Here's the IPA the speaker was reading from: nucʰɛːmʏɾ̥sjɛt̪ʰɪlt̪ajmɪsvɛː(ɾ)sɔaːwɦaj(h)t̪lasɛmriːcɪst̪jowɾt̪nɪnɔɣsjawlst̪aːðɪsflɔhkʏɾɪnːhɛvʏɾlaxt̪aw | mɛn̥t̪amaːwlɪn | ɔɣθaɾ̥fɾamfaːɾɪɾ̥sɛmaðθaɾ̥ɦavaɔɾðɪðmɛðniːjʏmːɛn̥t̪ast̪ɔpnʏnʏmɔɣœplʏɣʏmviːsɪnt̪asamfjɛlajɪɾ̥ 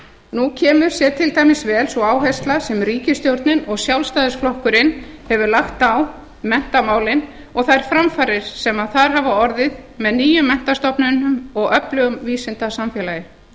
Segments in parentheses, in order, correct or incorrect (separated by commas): incorrect, incorrect